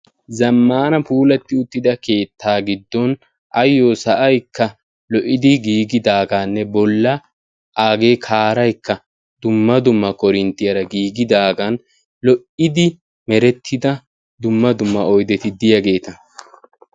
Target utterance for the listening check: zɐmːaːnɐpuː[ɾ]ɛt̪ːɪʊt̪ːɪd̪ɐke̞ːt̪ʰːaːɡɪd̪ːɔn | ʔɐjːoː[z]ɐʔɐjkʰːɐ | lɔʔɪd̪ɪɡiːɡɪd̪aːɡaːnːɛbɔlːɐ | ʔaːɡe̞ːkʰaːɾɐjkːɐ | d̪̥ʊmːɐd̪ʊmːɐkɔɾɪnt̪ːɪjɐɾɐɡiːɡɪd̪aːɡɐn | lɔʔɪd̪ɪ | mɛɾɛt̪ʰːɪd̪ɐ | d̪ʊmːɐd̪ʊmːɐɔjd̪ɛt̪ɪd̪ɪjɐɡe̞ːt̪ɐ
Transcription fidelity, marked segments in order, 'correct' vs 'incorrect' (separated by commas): incorrect, incorrect